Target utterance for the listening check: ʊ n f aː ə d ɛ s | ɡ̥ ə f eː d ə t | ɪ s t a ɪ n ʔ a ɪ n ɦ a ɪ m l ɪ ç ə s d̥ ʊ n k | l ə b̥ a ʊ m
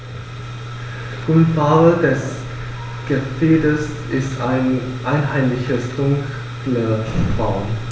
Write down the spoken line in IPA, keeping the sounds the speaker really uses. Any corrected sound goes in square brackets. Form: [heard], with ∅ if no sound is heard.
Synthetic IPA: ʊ n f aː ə d ɛ s | ɡ̥ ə f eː d ə [s] | ɪ s t a ɪ n ʔ a ɪ n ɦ a ɪ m l ɪ ç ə s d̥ ʊ [ŋ] k | l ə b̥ a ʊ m